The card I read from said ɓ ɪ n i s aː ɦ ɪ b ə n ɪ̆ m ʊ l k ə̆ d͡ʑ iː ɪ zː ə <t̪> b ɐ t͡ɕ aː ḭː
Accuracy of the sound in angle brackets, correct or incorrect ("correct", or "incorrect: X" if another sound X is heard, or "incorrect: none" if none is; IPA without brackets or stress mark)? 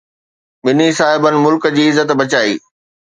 correct